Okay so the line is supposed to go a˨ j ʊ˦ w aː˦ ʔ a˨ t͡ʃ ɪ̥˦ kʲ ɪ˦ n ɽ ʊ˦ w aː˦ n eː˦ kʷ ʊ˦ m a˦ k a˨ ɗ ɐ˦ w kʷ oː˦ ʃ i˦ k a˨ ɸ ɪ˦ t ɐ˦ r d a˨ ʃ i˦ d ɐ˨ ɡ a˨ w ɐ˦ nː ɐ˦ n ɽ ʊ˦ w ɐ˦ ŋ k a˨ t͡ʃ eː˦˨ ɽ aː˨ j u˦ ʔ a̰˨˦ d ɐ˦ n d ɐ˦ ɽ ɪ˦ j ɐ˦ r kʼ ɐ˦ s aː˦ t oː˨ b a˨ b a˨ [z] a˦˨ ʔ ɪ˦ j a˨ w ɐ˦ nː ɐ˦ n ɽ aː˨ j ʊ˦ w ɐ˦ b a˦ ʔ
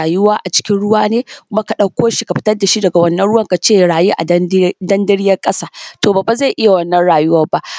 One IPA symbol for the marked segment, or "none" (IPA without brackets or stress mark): z